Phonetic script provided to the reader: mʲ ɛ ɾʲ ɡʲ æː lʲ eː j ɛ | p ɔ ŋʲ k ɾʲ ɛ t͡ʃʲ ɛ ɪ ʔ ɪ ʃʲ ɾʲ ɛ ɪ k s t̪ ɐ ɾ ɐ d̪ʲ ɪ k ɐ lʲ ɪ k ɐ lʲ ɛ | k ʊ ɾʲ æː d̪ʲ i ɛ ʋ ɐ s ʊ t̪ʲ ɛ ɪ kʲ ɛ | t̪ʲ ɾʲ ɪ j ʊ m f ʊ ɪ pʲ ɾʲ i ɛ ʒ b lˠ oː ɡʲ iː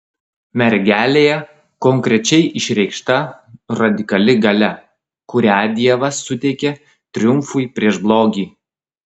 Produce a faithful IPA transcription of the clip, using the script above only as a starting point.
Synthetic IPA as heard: mʲ ɛ ɾʲ ɡʲ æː lʲ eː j ɛ | k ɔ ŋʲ k ɾʲ ɛ t͡ʃʲ ɛ ɪ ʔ ɪ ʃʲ ɾʲ ɛ ɪ k ʃ t̪ ɐ ɾ ɐ d̪ʲ ɪ k ɐ lʲ ɪ ɡ ɐ lʲ ɛ | k ʊ ɾʲ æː d̪ʲ i ɛ ʋ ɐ s ʊ t̪ʲ ɛ ɪ kʲ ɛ | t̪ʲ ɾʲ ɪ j ʊ m f ʊ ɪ pʲ ɾʲ i ɛ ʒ b lˠ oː ɡʲ iː